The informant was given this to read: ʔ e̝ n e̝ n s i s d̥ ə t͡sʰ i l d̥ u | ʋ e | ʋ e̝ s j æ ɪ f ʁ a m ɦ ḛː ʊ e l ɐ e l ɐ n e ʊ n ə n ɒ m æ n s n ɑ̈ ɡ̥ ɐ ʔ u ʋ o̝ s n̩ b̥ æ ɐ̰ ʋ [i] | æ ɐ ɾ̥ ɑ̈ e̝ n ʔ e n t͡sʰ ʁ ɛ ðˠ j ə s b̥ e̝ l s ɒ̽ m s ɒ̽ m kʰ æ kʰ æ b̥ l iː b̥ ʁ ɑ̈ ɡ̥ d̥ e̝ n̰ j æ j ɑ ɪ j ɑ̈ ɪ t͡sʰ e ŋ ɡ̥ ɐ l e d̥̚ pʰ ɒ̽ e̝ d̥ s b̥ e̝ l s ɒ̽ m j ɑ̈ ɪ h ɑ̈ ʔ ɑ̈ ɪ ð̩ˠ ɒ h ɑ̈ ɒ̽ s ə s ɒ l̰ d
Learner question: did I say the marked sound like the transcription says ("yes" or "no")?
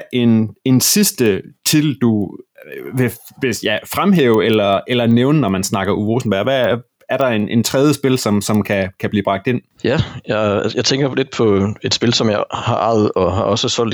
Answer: no